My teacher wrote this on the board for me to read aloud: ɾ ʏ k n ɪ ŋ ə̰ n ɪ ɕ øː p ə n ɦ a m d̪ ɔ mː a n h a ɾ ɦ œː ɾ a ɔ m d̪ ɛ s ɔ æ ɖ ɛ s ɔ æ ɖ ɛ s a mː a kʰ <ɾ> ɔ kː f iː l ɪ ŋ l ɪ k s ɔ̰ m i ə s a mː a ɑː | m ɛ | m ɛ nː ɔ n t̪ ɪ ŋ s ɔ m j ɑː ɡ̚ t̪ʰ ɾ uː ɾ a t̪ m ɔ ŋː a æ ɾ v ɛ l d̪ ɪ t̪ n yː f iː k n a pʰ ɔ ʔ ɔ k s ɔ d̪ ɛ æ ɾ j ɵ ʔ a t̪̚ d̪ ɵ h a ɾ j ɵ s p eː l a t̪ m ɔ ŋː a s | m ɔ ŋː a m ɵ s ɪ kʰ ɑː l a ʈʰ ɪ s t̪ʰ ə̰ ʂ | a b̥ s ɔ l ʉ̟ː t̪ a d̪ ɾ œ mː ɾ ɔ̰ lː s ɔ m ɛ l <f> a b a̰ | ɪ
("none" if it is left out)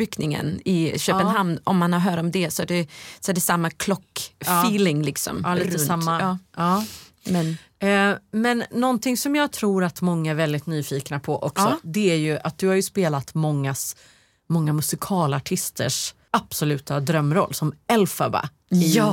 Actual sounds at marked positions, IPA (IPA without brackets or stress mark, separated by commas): l, f